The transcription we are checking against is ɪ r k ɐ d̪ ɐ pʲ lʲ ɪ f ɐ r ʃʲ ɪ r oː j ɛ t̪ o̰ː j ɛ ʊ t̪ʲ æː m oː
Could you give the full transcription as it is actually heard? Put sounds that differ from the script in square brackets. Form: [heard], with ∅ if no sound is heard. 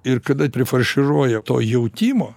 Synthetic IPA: ɪ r k ɐ d̪ ɐ pʲ [ɾʲ] ɪ f ɐ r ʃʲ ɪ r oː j ɛ t̪ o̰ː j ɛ ʊ t̪ʲ [iː] m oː